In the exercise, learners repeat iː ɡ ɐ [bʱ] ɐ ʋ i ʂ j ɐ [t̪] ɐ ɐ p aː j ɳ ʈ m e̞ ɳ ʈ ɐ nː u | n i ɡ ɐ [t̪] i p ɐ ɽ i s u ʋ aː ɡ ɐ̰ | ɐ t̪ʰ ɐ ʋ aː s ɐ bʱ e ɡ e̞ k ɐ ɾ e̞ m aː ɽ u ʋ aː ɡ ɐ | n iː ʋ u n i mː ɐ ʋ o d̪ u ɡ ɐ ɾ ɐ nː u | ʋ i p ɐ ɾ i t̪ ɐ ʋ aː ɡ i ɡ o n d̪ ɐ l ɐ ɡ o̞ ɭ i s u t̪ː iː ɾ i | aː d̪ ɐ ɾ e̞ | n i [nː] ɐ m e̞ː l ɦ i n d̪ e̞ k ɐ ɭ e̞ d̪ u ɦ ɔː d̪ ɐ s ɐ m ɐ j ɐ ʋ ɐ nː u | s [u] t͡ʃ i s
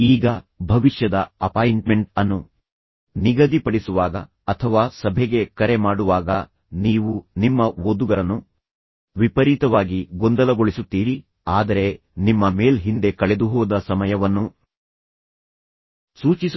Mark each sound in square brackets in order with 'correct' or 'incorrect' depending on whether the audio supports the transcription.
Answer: correct, incorrect: d̪, incorrect: d̪, incorrect: mː, incorrect: uː

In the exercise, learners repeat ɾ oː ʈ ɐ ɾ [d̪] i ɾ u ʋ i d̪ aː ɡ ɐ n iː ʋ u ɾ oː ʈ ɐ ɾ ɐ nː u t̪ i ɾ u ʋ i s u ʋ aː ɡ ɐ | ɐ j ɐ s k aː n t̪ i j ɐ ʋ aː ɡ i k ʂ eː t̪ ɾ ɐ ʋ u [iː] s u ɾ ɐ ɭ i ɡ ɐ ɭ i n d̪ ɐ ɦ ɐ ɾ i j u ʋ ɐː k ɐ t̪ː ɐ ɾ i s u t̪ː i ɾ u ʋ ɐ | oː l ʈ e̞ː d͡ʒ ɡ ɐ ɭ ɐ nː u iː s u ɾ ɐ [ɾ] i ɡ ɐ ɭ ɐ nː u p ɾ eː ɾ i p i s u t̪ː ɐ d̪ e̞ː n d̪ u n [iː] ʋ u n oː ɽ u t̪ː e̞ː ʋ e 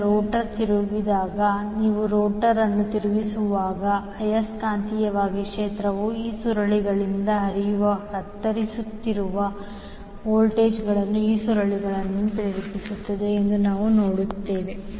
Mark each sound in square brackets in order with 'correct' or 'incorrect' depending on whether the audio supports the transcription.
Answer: incorrect: t̪, correct, incorrect: ɭ, incorrect: aː

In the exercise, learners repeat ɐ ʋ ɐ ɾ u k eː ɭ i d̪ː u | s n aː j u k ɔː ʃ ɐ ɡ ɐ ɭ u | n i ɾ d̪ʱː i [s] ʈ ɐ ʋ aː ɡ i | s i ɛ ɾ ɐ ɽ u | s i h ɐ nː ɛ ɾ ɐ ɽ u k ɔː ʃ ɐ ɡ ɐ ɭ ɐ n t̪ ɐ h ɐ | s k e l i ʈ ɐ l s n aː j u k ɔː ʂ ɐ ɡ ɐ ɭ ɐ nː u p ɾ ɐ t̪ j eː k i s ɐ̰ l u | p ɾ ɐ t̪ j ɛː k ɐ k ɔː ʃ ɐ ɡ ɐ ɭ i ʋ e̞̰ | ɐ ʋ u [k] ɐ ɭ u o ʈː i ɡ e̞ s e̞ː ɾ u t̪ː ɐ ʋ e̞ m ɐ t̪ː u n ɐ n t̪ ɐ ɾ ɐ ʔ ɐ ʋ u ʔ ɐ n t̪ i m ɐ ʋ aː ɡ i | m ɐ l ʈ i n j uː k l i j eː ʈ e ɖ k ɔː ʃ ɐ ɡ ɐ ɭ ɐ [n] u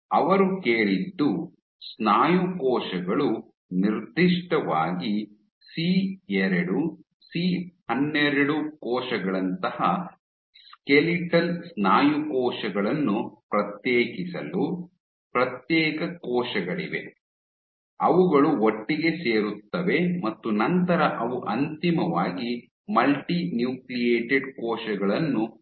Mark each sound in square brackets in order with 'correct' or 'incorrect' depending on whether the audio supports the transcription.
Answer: incorrect: ʂ, incorrect: ɡ, incorrect: nː

